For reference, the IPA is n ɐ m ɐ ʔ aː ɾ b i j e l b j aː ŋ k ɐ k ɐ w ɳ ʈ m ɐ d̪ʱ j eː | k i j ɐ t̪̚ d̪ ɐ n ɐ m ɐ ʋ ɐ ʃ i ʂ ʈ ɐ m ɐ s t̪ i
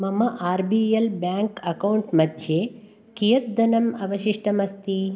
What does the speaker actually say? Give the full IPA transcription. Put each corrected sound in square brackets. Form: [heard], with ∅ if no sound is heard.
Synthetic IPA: [m] ɐ m ɐ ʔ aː ɾ b i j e l b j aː ŋ k ɐ k ɐ w ɳ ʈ m ɐ d̪ʱ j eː | k i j ɐ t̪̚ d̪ ɐ n ɐ m ɐ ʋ ɐ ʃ i ʂ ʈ ɐ m ɐ s t̪ i